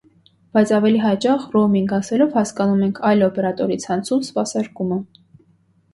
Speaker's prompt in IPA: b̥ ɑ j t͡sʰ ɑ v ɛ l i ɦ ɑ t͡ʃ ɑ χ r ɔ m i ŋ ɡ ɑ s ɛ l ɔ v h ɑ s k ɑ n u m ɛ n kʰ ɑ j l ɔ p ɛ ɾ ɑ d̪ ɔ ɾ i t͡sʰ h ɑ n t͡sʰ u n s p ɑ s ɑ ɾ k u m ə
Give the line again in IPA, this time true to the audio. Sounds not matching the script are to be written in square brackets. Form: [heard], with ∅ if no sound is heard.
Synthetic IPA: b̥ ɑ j t͡sʰ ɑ v ɛ l i ɦ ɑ t͡ʃ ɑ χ r ɔ m i ŋ ɡ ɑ s ɛ l ɔ v h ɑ s k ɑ n u m ɛ [ŋ] kʰ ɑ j l ɔ p ɛ ɾ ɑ [t̪] ɔ ɾ i t͡sʰ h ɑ n t͡sʰ u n s p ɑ s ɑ ɾ k u m ə